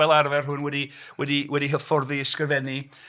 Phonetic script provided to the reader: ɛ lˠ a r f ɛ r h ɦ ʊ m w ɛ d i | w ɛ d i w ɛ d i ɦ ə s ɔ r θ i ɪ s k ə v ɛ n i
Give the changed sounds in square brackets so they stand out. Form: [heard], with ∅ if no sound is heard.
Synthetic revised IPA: ɛ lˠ a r [v] ɛ r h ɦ ʊ [n] w ɛ d i | w ɛ d i w ɛ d i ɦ ə [f] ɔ r [ð] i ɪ s k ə v ɛ n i